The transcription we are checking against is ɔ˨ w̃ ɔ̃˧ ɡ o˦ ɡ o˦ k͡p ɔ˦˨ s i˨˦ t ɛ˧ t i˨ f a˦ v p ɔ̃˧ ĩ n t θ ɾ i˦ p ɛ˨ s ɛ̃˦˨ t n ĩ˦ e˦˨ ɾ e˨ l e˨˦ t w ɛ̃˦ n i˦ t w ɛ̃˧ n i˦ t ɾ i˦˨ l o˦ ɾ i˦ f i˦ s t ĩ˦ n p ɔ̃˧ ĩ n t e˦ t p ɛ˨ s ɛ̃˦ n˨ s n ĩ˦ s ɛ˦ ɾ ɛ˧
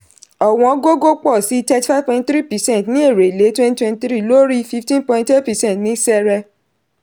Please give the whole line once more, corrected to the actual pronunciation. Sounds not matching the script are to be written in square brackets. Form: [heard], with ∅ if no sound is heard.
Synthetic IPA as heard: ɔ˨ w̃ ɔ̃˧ ɡ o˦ ɡ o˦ k͡p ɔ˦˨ s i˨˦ t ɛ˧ t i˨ f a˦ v p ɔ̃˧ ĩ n t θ ɾ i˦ p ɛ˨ s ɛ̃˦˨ t n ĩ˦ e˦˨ ɾ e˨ l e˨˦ t w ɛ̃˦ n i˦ t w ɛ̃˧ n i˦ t ɾ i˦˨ l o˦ ɾ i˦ f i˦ [f] t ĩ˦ n p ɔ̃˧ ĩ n t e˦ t p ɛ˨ s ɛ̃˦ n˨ [t] n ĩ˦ s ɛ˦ ɾ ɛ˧